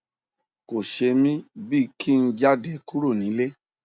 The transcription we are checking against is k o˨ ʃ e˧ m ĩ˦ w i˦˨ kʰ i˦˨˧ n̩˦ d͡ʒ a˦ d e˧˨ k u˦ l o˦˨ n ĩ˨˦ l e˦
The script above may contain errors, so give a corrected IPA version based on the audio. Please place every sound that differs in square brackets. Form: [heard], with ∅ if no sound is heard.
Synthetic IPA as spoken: k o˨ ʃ e˧ m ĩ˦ [b] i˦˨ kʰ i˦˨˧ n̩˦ d͡ʒ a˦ d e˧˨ k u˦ [ɾ] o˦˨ n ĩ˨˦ l e˦